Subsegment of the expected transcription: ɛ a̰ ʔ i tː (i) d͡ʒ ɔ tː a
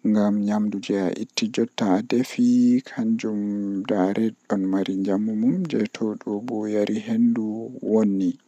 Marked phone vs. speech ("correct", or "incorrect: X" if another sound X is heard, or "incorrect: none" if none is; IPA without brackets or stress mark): correct